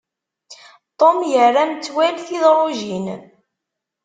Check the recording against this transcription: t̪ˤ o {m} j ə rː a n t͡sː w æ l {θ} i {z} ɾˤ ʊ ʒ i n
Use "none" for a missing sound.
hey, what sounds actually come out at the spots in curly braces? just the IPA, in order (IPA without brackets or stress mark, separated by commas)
m, θ, ð